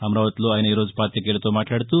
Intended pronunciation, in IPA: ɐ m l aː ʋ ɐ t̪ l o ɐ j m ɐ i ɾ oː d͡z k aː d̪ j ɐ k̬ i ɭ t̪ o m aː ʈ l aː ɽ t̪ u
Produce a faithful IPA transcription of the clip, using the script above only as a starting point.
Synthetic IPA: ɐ m ɾ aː ʋ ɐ t̪ l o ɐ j n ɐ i ɾ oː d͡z p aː t̪ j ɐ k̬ e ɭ t̪ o m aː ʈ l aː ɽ t̪ u